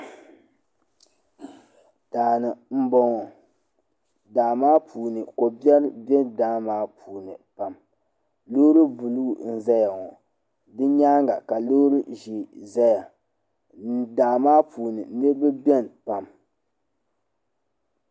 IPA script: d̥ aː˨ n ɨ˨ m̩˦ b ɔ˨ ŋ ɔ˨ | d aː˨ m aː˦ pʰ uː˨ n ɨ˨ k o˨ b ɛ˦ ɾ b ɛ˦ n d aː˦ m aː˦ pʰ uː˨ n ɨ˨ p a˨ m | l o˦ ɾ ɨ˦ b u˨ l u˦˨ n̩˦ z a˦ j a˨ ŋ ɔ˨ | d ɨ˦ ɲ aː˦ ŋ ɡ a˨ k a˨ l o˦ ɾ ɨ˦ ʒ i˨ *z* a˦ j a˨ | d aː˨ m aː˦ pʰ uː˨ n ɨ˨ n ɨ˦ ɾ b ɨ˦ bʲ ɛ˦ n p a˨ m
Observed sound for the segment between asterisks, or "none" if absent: z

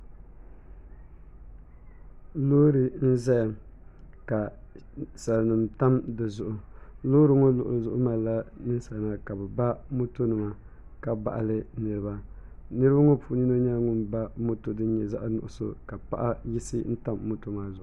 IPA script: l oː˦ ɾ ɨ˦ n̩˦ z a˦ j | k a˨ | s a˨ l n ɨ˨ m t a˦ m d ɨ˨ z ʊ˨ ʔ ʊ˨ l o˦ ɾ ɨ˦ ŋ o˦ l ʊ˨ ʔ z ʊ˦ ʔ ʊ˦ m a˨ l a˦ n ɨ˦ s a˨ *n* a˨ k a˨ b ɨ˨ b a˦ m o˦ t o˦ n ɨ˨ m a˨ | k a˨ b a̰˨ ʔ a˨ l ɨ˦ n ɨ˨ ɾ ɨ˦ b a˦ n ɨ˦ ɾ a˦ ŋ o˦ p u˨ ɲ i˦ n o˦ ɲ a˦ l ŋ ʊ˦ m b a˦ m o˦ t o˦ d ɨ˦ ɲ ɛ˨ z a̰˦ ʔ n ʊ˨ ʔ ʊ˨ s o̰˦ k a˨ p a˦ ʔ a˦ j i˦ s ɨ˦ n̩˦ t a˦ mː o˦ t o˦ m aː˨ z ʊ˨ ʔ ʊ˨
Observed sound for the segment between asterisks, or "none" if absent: n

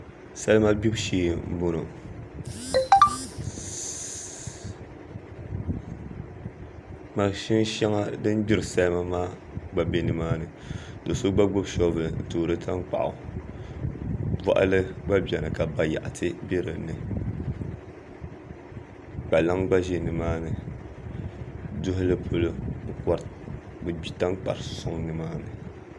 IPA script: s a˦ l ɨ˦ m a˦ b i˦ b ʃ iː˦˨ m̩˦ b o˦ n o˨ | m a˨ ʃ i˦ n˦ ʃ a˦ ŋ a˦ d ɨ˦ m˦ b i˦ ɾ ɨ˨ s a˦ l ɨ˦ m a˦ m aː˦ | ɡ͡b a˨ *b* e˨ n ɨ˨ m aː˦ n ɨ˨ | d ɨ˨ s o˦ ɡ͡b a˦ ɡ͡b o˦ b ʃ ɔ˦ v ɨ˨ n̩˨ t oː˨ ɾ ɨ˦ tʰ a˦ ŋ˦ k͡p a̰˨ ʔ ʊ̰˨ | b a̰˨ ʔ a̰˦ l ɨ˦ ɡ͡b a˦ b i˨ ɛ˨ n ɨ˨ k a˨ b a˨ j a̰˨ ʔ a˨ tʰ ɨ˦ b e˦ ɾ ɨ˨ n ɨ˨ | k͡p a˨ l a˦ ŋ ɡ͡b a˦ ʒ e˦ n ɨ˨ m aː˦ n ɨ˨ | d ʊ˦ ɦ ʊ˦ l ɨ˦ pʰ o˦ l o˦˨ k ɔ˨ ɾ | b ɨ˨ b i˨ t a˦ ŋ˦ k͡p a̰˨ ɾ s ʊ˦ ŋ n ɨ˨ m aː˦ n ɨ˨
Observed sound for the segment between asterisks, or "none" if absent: b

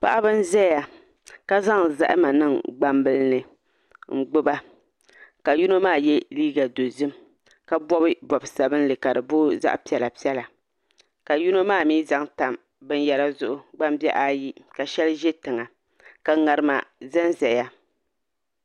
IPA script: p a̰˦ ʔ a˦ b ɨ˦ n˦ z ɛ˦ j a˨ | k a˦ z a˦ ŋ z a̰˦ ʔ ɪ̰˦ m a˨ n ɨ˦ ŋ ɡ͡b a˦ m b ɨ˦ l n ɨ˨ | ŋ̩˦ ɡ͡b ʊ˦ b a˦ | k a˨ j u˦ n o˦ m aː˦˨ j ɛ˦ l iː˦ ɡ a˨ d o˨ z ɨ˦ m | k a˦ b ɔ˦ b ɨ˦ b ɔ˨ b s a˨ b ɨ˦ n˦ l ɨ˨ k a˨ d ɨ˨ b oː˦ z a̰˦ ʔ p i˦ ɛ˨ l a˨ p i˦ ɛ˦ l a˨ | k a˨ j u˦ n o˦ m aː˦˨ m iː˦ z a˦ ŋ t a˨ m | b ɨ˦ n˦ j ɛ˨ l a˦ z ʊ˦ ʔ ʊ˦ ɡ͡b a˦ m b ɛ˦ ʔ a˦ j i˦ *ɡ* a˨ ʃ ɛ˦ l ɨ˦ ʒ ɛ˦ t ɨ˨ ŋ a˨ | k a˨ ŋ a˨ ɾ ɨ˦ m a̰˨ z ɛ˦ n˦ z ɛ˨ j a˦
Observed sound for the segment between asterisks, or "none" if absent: k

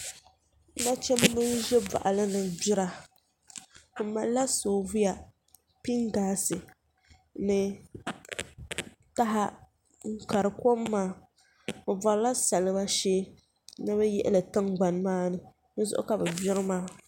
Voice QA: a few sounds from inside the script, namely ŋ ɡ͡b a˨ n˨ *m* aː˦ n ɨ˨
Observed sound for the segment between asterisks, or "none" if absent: m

